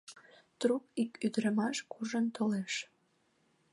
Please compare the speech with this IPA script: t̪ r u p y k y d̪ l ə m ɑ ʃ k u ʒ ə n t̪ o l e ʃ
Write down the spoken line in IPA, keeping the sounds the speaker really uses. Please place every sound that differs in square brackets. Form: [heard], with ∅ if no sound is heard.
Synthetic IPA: t̪ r u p [i] k y d̪ [ɾ] ə m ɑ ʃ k u ʒ ə n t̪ o l e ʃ